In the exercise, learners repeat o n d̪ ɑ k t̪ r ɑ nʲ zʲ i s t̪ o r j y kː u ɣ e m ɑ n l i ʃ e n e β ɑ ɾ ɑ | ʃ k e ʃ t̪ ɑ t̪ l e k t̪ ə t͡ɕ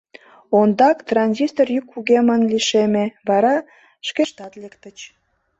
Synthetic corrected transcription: o n d̪ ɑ k t̪ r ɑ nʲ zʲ i s t̪ o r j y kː u ɣ e m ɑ n l i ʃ e m e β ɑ ɾ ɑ | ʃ k e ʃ t̪ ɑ t̪ l e k t̪ ə t͡ɕ